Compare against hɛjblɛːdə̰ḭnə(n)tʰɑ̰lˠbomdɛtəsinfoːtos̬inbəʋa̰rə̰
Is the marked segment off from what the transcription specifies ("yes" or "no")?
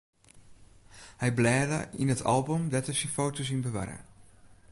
yes